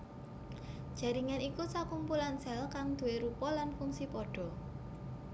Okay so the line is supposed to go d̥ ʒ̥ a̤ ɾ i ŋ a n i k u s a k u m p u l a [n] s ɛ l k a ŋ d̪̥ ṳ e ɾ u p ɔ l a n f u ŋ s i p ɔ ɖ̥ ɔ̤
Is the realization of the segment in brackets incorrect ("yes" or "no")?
no